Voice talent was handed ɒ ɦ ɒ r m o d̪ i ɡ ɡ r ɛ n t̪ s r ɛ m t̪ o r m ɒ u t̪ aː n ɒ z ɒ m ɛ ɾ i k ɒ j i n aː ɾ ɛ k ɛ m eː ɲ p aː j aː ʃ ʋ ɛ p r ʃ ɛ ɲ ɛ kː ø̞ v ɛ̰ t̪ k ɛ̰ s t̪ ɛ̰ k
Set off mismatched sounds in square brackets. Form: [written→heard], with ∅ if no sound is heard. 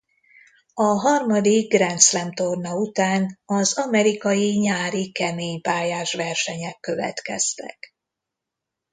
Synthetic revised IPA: ɒ ɦ ɒ r m [o→ɒ] d̪ i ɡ ɡ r ɛ n t̪ s [r→l] ɛ m t̪ o r [m→n] ɒ u t̪ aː n ɒ z ɒ m ɛ ɾ i k ɒ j i [n→ɲ] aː ɾ [ɛ→i] k ɛ m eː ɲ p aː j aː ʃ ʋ ɛ [p→∅] r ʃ ɛ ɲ ɛ kː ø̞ v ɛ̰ t̪ k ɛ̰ s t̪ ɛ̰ k